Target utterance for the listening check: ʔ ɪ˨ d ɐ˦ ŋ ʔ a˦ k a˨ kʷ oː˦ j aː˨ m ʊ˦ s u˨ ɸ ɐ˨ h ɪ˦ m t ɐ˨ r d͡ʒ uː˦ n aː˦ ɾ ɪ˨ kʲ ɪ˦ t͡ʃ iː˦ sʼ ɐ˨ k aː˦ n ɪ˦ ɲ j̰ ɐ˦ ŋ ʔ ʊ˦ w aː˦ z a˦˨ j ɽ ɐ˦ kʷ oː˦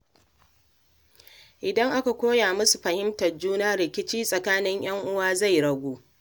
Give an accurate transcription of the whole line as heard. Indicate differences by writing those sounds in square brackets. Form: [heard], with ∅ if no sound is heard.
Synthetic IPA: ʔ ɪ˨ d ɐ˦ ŋ ʔ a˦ k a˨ kʷ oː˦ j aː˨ m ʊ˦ s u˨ ɸ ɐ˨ h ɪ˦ m t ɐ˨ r d͡ʒ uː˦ n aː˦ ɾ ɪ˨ kʲ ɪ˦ t͡ʃ iː˦ sʼ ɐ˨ k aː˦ n ɪ˦ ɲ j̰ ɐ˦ ŋ ʔ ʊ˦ w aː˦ z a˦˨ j ɽ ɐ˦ [ɡʷ] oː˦